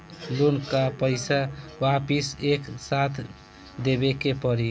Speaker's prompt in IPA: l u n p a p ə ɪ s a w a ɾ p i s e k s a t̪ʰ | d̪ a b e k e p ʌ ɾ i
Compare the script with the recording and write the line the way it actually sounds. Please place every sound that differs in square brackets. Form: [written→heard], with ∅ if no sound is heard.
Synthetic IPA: l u n [p→k] a p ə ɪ s a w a [ɾ→∅] p i s e k s a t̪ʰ | d̪ [a→e] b e k e p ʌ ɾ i